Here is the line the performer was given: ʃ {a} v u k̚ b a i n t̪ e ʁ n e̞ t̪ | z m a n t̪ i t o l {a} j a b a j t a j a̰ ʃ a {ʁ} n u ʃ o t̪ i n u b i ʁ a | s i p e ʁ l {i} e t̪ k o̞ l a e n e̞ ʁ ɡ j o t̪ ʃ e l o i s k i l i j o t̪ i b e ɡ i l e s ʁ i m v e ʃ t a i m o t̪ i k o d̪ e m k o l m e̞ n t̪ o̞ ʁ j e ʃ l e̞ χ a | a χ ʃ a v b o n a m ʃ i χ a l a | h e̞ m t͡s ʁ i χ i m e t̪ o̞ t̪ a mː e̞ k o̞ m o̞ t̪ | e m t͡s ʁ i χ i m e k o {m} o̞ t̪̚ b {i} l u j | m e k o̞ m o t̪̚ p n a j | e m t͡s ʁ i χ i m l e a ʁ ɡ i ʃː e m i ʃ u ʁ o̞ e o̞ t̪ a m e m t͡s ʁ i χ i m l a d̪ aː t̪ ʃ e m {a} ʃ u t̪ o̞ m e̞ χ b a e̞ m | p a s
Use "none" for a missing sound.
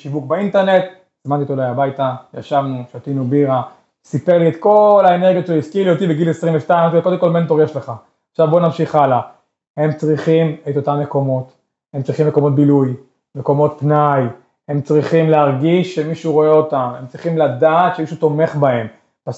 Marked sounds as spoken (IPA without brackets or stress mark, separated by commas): i, a, v, i, m, i, i